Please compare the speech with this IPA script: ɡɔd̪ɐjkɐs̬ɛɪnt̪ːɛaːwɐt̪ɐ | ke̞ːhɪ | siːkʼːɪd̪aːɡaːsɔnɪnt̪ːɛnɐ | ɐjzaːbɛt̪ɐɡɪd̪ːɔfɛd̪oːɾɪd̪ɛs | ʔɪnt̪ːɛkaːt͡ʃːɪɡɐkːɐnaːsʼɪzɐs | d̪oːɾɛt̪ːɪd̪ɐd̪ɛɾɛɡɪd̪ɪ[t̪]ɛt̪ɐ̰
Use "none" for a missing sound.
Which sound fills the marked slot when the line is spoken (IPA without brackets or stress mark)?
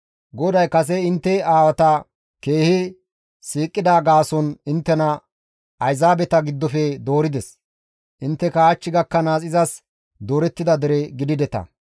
d̪